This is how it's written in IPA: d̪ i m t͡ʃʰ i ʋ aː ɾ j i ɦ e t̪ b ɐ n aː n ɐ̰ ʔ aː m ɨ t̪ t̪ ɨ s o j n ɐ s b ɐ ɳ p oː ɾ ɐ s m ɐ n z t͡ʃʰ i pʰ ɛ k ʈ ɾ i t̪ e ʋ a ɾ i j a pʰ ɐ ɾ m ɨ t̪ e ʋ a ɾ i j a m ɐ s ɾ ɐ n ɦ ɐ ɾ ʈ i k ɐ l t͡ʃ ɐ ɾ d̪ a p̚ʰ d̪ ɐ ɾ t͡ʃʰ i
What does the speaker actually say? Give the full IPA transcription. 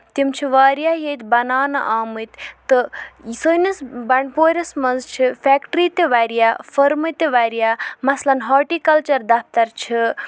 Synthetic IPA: t̪ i m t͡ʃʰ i ʋ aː ɾ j a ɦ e t̪ b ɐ n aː n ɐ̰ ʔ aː m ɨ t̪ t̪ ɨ s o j n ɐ s b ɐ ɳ p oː ɾ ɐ s m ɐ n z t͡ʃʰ i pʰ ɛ k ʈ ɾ i t̪ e ʋ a ɾ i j a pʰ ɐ ɾ m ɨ t̪ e ʋ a ɾ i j a m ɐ s l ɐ n ɦ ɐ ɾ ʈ i k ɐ l t͡ʃ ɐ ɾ d̪ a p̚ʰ t̪ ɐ ɾ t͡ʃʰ i

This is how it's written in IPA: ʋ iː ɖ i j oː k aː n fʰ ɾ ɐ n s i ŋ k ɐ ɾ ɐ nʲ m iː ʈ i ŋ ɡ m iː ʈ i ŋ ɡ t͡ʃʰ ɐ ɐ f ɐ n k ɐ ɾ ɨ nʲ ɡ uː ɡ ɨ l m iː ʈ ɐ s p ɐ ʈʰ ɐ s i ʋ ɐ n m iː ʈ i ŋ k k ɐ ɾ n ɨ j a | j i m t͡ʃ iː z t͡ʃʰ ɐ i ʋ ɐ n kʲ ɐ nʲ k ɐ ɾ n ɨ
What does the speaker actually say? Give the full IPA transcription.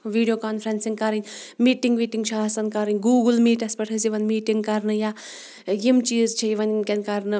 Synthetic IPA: ʋ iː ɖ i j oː k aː n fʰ ɾ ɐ n s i ŋ k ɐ ɾ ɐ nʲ m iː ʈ i ŋ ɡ m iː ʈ i ŋ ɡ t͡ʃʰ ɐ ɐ s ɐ n k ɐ ɾ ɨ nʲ ɡ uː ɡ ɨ l m iː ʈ ɐ s p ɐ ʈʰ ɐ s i ʋ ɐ n m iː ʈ i ŋ ɡ k ɐ ɾ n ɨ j a | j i m t͡ʃ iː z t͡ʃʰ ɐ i ʋ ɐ n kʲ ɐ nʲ k ɐ ɾ n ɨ

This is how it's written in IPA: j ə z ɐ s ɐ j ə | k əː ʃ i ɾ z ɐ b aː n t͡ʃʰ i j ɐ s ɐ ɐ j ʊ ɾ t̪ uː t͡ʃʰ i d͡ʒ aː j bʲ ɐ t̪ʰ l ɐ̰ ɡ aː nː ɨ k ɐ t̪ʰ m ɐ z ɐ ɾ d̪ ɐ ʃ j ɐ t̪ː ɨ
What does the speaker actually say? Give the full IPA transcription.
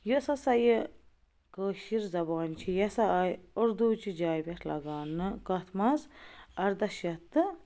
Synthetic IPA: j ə s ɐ s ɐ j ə | k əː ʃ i ɾ z ɐ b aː n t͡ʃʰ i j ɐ s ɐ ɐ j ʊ ɾ d̪ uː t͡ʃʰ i d͡ʒ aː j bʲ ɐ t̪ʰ l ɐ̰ ɡ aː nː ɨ k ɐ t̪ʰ m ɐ z ɐ ɾ d̪ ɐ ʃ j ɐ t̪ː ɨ

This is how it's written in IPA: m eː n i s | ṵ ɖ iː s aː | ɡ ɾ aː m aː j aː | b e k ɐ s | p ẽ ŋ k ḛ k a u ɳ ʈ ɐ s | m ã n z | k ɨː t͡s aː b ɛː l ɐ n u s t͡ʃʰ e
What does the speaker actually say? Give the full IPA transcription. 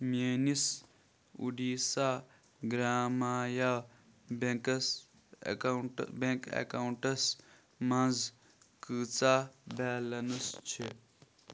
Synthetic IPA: m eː n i s | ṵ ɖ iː s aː | ɡ ɾ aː m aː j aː | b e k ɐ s | b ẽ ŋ k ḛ k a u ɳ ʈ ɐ s | m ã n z | k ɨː t͡s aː b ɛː l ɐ n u s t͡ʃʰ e

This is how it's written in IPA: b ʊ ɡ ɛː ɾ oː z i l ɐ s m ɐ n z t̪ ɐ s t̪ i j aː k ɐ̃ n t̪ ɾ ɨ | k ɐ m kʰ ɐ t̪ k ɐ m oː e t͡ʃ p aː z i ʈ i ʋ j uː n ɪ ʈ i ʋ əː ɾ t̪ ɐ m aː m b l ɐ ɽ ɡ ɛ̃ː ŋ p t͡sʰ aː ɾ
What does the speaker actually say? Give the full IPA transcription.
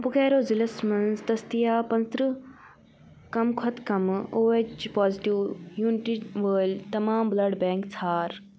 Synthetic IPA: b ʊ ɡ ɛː ɾ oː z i l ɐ s m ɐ n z t̪ ɐ s t̪ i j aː p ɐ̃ n t̪ ɾ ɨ | k ɐ m kʰ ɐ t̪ k ɐ m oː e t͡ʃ p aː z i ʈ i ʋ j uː n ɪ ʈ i ʋ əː l t̪ ɐ m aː m b l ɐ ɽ b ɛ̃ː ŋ k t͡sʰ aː ɾ

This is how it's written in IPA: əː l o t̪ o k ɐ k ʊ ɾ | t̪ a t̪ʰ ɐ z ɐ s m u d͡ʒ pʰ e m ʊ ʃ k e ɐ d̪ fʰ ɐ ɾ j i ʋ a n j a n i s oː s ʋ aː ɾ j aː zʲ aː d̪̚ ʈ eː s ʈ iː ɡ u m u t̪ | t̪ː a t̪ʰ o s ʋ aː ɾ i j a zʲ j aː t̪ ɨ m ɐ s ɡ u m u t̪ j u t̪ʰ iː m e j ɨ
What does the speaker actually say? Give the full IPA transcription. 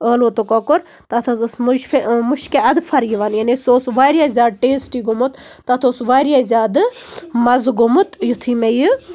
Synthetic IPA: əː l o t̪ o k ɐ k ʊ ɾ | t̪ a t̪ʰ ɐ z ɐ s m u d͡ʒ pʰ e m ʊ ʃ k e ɐ d̪ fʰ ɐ ɾ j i ʋ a n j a n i s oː s ʋ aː ɾ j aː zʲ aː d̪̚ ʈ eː s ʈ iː ɡ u m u t̪ | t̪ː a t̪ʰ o s ʋ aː ɾ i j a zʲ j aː d̪ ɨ m ɐ z ɡ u m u t̪ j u t̪ʰ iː m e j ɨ

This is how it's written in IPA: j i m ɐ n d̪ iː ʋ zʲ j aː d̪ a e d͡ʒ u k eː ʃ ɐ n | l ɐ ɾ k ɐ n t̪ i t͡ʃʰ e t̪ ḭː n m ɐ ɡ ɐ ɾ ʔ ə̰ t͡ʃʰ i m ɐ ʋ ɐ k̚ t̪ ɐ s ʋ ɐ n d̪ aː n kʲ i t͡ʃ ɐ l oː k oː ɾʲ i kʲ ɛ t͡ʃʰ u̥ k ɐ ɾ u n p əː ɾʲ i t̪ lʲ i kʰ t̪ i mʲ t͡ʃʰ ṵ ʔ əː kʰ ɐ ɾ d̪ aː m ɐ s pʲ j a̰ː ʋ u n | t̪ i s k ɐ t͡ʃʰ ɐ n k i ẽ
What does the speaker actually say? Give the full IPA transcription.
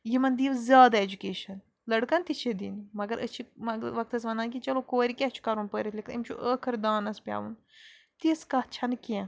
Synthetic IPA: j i m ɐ n d̪ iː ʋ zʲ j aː d̪ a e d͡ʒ u k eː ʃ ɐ n | l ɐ ɽ k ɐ n t̪ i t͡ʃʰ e d̪ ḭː n m ɐ ɡ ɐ ɾ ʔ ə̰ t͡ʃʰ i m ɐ ʋ ɐ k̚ t̪ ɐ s ʋ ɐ n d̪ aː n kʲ i t͡ʃ ɐ l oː k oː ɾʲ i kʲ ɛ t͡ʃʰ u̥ k ɐ ɾ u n p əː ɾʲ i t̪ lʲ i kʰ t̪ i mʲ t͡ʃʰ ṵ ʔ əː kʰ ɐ ɾ d̪ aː n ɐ s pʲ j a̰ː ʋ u n | t̪ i s k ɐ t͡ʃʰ ɐ n k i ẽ

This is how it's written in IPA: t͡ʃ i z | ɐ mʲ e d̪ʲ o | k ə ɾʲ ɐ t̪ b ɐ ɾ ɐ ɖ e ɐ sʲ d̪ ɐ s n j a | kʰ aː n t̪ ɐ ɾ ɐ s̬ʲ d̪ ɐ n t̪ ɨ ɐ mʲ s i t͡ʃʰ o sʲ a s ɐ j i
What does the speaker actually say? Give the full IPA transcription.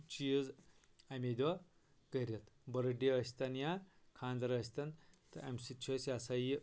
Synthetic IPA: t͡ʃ i z | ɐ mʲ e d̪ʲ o | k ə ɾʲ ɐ t̪ b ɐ ɾ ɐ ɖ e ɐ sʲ t̪ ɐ n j a | kʰ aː n d̪ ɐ ɾ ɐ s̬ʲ t̪ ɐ n t̪ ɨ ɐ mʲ s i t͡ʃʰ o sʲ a s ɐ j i

